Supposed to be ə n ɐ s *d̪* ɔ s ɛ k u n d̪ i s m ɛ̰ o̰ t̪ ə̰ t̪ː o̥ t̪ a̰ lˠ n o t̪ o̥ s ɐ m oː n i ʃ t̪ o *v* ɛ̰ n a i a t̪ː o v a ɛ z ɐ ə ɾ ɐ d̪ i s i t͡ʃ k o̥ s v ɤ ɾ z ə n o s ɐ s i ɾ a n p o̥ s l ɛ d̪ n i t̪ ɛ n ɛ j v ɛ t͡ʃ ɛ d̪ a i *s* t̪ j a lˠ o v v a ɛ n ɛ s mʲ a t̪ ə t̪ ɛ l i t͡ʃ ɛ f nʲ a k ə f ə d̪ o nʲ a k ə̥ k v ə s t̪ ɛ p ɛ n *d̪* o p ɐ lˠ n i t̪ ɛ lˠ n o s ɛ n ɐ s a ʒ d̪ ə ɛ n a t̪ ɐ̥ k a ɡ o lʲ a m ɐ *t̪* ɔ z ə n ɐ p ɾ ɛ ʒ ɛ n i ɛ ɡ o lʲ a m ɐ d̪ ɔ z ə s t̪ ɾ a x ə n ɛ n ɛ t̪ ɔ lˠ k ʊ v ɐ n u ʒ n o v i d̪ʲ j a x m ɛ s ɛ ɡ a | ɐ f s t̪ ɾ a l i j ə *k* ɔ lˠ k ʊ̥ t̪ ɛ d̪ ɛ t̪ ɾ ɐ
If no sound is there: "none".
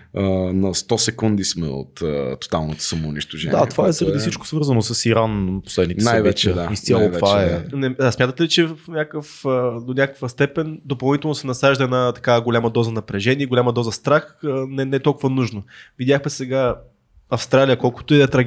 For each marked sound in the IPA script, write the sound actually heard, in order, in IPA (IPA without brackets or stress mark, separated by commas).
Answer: t̪, ʒ, s, d̪, d̪, k